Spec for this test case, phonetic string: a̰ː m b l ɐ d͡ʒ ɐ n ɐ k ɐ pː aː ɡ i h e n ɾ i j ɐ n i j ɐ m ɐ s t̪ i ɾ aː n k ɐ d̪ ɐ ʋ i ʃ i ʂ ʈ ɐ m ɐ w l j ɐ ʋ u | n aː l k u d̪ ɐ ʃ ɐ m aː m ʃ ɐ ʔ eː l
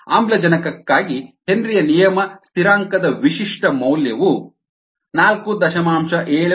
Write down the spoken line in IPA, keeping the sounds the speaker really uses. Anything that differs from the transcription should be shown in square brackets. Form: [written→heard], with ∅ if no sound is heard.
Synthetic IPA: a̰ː m b l ɐ d͡ʒ ɐ n ɐ k ɐ [pː→kː] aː ɡ i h e n ɾ i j ɐ n i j ɐ m ɐ s t̪ i ɾ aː [n→ŋ] k ɐ d̪ ɐ ʋ i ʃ i ʂ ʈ ɐ m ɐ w l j ɐ ʋ u | n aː l k u d̪ ɐ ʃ ɐ m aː m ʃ ɐ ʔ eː [l→ɭ]

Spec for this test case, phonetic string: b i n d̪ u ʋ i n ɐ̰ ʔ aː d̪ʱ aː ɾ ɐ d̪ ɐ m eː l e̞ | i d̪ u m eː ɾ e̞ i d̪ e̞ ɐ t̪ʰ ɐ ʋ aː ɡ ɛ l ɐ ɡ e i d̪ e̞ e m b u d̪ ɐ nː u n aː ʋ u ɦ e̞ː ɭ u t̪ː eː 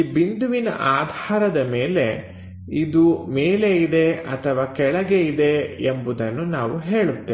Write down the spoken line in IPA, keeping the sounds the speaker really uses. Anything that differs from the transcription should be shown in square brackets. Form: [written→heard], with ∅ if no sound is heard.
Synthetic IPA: b i n d̪ u ʋ i n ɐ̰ ʔ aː d̪ʱ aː ɾ ɐ d̪ ɐ m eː l e̞ | i d̪ u m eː [ɾ→l] e̞ i d̪ e̞ ɐ t̪ʰ ɐ ʋ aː [ɡ→k] ɛ [l→ɭ] ɐ ɡ e i d̪ e̞ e m b u d̪ ɐ nː u n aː ʋ u ɦ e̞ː ɭ u t̪ː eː

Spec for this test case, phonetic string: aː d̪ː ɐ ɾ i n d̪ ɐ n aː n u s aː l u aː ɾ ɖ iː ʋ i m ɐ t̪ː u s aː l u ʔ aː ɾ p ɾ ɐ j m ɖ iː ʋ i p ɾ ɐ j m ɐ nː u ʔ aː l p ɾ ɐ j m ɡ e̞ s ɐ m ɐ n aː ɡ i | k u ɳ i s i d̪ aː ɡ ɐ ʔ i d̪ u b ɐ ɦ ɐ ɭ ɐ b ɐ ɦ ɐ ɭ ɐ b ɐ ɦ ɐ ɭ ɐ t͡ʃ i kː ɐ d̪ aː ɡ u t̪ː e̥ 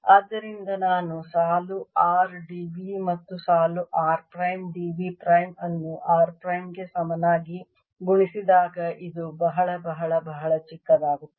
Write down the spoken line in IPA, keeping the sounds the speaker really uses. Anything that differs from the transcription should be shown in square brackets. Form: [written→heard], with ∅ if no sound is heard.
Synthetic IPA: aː d̪ː ɐ ɾ i n d̪ ɐ n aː n u s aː l u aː ɾ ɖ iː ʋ i m ɐ t̪ː u s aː l u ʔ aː ɾ p ɾ ɐ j m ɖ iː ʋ i p ɾ ɐ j m ɐ nː u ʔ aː [l→ɾ] p ɾ ɐ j m ɡ e̞ s ɐ m ɐ n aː ɡ i | [k→ɡ] u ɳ i s i d̪ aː ɡ ɐ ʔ i d̪ u b ɐ ɦ ɐ ɭ ɐ b ɐ ɦ ɐ ɭ ɐ b ɐ ɦ ɐ ɭ ɐ t͡ʃ i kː ɐ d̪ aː ɡ u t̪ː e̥

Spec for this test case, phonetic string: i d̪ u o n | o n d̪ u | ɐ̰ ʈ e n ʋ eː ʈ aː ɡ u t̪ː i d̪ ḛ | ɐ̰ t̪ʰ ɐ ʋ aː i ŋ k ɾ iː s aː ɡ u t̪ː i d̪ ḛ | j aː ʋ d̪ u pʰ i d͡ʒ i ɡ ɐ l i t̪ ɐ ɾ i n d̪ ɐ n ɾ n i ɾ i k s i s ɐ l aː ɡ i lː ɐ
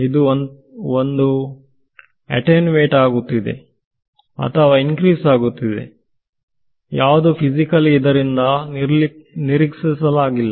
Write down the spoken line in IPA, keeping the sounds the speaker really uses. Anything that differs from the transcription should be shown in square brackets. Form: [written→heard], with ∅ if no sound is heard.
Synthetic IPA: i d̪ u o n | o n d̪ u | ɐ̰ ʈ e n ʋ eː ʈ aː ɡ u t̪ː i d̪ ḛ | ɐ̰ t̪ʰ ɐ ʋ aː i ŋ k ɾ iː s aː ɡ u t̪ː i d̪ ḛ | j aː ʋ d̪ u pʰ i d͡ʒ i [ɡ→k] ɐ l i [t̪→d̪] ɐ ɾ i n d̪ ɐ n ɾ n i ɾ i k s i s ɐ l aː ɡ i lː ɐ

